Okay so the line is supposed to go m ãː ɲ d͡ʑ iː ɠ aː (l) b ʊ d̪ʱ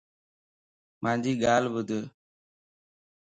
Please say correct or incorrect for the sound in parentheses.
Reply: correct